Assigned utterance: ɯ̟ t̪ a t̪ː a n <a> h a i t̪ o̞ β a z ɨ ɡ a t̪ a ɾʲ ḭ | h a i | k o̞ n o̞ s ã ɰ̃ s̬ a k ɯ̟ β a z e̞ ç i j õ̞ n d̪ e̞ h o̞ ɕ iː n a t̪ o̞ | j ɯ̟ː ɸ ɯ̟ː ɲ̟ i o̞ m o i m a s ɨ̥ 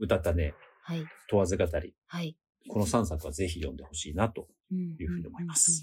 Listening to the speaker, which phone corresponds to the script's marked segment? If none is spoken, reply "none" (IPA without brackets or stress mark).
e